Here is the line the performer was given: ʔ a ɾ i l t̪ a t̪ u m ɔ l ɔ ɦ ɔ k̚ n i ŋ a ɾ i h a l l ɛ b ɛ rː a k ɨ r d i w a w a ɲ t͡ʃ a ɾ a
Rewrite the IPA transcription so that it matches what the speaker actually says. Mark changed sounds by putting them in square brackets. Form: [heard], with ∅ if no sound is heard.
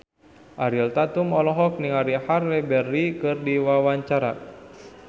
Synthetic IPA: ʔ a ɾ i l t̪ a t̪ u m ɔ l ɔ ɦ ɔ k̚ n i ŋ a ɾ i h a [r] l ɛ b ɛ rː [i] k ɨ r d i w a w a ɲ t͡ʃ a ɾ a